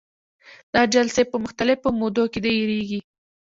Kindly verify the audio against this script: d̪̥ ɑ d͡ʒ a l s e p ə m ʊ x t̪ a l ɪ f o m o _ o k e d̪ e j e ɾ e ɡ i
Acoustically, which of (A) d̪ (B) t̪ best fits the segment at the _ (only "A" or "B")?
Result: A